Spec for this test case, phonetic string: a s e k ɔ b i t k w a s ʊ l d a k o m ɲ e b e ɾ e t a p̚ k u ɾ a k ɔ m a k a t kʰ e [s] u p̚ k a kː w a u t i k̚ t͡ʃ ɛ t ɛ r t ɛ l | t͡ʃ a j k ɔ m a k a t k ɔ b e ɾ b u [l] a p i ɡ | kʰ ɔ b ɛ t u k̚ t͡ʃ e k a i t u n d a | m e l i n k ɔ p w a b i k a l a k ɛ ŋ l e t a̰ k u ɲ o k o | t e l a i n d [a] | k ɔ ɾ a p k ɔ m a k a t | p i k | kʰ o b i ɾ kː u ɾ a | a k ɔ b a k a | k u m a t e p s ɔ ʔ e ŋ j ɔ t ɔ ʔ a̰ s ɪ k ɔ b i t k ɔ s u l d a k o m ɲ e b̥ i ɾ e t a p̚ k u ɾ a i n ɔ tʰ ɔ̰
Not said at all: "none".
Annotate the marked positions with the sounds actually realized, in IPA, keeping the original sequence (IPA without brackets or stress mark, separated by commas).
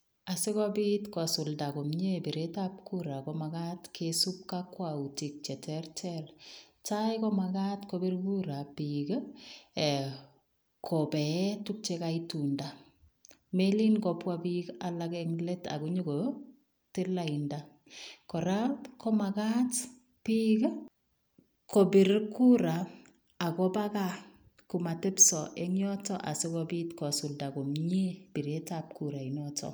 s, ɾ, a